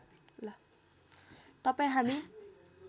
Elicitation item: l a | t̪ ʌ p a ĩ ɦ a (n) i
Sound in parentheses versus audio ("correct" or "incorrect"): incorrect